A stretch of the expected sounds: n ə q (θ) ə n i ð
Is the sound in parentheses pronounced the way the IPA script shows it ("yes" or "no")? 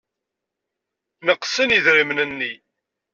no